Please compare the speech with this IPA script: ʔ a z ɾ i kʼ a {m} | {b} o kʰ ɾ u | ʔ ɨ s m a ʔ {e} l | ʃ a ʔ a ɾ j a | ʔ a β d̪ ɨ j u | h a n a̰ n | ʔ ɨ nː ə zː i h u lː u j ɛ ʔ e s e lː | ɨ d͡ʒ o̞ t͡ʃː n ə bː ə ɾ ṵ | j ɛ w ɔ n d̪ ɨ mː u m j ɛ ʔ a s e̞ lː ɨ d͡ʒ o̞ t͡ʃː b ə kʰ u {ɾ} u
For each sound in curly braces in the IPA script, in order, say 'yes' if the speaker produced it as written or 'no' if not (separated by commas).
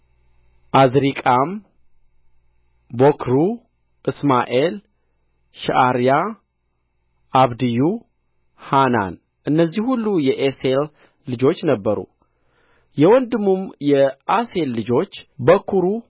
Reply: yes, yes, yes, yes